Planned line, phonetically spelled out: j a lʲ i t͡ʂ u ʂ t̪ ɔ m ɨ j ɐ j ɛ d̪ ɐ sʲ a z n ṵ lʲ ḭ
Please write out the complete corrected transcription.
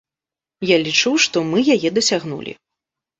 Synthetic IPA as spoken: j a lʲ i t͡ʂ u ʂ t̪ ɔ m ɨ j a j ɛ d̪ ɐ sʲ a ɣ n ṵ lʲ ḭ